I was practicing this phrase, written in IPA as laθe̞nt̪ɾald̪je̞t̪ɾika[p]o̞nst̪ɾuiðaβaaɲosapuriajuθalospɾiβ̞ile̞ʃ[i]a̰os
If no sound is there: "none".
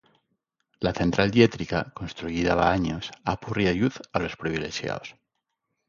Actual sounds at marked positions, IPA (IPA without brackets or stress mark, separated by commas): k, j